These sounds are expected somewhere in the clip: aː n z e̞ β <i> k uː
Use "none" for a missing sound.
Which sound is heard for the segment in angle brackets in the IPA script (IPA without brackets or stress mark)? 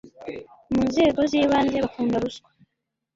a